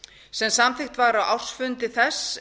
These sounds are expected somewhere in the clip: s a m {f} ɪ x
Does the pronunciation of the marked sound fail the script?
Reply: yes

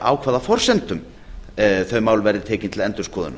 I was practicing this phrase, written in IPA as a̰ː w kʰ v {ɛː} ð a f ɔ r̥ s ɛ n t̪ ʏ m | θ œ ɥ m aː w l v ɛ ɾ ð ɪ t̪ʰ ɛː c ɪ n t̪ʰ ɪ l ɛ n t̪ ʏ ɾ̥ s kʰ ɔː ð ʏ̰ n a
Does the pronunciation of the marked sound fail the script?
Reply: yes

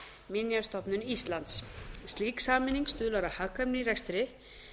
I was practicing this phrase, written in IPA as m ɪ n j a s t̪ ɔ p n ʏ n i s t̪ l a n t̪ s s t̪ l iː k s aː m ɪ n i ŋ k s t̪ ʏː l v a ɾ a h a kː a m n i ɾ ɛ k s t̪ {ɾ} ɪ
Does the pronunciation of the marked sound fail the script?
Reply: no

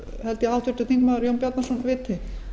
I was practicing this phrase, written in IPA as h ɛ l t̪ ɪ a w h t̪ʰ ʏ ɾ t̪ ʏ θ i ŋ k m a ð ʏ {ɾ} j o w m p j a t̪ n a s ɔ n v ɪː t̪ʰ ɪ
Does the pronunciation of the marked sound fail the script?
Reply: no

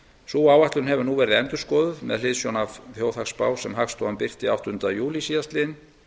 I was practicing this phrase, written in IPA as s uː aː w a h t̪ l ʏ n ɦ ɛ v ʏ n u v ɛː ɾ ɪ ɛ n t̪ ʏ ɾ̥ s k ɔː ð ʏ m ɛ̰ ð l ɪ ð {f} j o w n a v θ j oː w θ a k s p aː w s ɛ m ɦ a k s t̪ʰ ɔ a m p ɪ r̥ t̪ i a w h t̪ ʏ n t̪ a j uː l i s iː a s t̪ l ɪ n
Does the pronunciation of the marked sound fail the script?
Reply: yes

